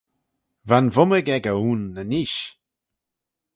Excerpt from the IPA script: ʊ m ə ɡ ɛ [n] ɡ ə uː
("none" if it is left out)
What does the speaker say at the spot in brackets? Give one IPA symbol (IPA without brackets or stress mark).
none